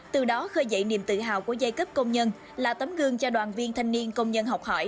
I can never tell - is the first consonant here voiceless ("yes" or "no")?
yes